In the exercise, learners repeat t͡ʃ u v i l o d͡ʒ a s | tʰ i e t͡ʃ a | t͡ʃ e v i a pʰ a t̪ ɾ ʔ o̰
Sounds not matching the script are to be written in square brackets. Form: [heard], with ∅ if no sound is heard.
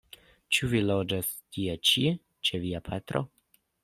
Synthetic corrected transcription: t͡ʃ u v i l o d͡ʒ a s | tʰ i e t͡ʃ [i] | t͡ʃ e v i a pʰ a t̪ ɾ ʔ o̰